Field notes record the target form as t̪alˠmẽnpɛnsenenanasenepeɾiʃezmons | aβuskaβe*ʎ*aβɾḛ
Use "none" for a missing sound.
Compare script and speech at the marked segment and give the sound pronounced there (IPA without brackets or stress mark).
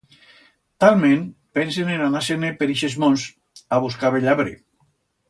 ʎ